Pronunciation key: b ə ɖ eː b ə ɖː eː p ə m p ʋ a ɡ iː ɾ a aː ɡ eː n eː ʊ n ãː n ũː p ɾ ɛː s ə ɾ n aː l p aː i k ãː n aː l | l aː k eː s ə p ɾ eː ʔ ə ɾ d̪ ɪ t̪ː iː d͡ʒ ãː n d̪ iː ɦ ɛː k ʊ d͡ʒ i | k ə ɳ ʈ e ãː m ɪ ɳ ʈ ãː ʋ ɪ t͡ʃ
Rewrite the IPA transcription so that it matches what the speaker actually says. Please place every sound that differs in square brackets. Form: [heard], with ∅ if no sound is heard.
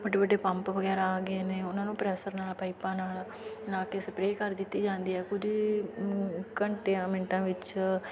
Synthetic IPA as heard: b ə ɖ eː b ə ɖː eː p ə m p ʋ [ə] ɡ [ɛː] ɾ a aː ɡ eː n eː ʊ n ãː n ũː p ɾ ɛː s ə ɾ n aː l p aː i [p] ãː n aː l | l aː k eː s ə p ɾ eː [k] ə ɾ d̪ ɪ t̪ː iː d͡ʒ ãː n d̪ iː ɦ ɛː k ʊ d͡ʒ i | k ə ɳ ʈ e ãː m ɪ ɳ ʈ ãː ʋ ɪ t͡ʃ